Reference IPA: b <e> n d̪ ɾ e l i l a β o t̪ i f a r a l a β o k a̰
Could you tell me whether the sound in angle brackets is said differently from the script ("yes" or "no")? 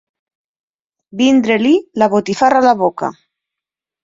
yes